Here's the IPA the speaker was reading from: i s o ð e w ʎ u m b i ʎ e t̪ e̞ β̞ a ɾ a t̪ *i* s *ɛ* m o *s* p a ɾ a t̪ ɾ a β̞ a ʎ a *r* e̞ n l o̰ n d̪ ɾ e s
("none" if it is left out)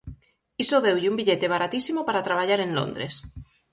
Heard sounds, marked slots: i, i, none, ɾ

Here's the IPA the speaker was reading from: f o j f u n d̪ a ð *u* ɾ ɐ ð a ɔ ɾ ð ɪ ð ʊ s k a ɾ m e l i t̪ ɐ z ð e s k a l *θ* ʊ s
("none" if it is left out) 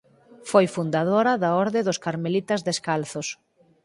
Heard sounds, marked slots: o, θ

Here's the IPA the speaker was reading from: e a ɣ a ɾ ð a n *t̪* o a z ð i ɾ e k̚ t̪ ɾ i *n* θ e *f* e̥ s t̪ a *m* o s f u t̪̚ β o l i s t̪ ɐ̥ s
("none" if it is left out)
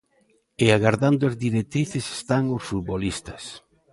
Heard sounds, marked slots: d̪, none, s, ŋ

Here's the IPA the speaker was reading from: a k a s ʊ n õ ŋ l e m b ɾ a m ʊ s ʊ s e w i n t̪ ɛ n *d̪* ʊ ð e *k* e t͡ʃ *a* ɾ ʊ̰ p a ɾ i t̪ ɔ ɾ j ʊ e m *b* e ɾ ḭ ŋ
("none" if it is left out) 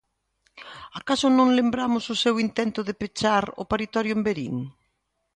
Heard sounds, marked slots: t̪, p, a, b

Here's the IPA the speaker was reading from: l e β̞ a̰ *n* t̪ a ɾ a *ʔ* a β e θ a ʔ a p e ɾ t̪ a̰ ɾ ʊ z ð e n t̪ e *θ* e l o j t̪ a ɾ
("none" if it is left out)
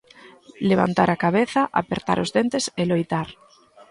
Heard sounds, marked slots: n, k, s

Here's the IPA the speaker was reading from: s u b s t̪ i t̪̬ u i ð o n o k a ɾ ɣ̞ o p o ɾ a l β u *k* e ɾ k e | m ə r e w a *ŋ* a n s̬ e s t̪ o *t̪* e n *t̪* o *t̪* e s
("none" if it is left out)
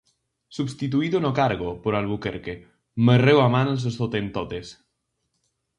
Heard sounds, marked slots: k, m, t̪, t̪, t̪

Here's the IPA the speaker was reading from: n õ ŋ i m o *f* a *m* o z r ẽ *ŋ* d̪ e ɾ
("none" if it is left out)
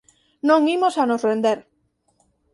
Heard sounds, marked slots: s, n, n

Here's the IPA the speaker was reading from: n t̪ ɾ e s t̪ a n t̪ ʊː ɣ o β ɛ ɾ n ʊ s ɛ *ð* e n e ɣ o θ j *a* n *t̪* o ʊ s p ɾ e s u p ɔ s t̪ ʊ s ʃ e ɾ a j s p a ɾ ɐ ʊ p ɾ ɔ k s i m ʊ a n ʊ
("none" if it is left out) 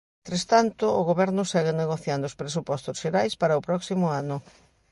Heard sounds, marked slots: ɣ, a, d̪

